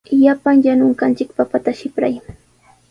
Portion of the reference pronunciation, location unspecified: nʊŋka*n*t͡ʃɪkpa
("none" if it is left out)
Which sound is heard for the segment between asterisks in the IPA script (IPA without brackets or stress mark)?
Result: n